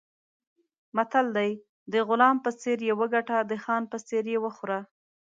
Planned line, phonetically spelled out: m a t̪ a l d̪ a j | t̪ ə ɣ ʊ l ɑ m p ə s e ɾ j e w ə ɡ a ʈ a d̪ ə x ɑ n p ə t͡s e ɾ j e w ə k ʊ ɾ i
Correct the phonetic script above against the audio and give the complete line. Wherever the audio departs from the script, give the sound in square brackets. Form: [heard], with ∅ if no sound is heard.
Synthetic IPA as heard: m a t̪ a l d̪ a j | [d̪] ə ɣ ʊ l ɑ m p ə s e ɾ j e w ə ɡ a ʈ a d̪ ə x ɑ n p ə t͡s e ɾ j e w ə [x] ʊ ɾ [a]